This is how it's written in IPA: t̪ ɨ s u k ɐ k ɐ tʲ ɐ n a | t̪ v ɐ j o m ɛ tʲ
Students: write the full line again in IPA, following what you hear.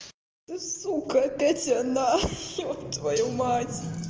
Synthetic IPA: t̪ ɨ s u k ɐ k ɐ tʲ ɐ n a | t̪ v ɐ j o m a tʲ

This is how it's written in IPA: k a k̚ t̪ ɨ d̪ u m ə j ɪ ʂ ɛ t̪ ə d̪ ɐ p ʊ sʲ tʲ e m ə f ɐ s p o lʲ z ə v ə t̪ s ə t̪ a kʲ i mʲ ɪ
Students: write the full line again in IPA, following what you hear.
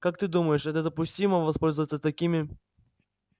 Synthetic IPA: k a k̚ t̪ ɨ d̪ u m ə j ɪ ʂ ɛ t̪ ə d̪ ə p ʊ sʲ tʲ i m ə v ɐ s p o lʲ z ə v ə t̪ s ə t̪ ɐ kʲ i mʲ ɪ

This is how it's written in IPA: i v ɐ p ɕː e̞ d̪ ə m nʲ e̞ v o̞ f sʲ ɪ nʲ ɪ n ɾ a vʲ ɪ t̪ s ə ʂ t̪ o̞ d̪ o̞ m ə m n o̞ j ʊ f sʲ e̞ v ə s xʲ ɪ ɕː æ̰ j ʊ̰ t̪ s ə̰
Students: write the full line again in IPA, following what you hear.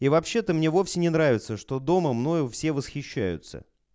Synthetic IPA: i v ɐ p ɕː e̞ t̪ ə m nʲ e̞ v o̞ f sʲ ɪ nʲ ɪ n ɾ a vʲ ɪ t̪ s ə ʂ t̪ o̞ d̪ o̞ m ə m n o̞ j ʊ f sʲ e̞ v ə s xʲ ɪ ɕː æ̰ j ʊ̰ t̪ s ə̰

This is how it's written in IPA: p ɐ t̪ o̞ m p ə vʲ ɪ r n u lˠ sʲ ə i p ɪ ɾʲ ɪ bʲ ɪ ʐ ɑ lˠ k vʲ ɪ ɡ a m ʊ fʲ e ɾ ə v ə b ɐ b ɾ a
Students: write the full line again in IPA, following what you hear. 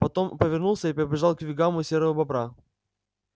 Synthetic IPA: p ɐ t̪ o̞ m p ə vʲ ɪ r n u lˠ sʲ ə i p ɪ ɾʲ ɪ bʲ ɪ ʐ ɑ lˠ k vʲ ɪ ɡ a m ʊ sʲ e ɾ ə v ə b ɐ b ɾ a

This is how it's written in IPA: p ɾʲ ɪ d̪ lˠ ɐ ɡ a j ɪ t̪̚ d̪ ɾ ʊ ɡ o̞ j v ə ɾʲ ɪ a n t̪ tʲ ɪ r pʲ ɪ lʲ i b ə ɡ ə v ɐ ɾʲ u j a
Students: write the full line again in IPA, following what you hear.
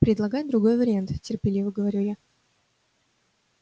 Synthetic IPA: p ɾʲ ɪ d̪ lˠ ɐ ɡ a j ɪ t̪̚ d̪ ɾ ʊ ɡ o̞ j v ə ɾʲ ɪ a n t̪ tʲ ɪ r pʲ ɪ lʲ i v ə ɡ ə v ɐ ɾʲ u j a

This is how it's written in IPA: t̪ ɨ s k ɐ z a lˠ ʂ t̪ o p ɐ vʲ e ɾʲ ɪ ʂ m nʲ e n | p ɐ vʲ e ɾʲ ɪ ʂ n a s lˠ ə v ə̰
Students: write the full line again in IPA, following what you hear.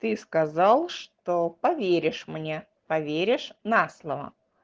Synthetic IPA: t̪ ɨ s k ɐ z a lˠ ʂ t̪ o p ɐ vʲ e ɾʲ ɪ ʂ m nʲ e | p ɐ vʲ e ɾʲ ɪ ʂ n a s lˠ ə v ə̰

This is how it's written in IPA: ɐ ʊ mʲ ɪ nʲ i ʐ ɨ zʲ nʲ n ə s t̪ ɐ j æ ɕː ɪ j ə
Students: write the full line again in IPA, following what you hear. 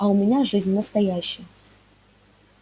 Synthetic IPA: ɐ ʊ mʲ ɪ nʲ a ʐ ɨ zʲ nʲ n ə s t̪ ɐ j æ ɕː ɪ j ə

